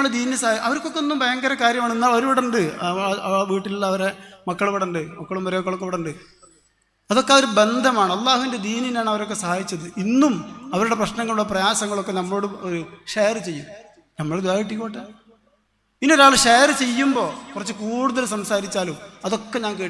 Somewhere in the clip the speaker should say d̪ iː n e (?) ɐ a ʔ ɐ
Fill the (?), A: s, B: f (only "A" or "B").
A